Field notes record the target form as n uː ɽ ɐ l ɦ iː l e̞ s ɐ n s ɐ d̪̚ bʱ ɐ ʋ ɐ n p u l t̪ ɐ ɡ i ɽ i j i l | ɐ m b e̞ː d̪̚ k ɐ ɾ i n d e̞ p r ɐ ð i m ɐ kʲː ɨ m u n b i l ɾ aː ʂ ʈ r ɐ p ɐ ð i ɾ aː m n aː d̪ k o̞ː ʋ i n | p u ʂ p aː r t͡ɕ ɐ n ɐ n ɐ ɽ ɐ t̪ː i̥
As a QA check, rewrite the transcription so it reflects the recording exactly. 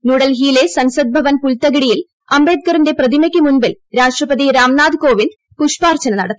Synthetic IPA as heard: n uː ɽ ɐ l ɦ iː l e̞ s ɐ n s ɐ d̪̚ bʱ ɐ ʋ ɐ n p u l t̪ ɐ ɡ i ɽ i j i l | ɐ m b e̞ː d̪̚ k ɐ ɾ i n d e̞ p r ɐ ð i m ɐ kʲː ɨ m u n b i l ɾ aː ʂ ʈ r ɐ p ɐ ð i ɾ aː m n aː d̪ k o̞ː ʋ i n | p u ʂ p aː r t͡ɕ ɐ n ɐ n ɐ ɽ ɐ t̪ː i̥

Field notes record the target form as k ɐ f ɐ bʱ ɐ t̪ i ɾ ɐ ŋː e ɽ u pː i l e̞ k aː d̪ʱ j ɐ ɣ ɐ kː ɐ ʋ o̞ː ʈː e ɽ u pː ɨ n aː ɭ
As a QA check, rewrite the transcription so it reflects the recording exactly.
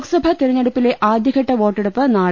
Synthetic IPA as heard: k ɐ s ɐ bʱ ɐ t̪ i ɾ ɐ ɲː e ɽ u pː i l e̞ ʔ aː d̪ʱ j ɐ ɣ ɐ ʈː ɐ ʋ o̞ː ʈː e ɽ u pː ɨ n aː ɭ

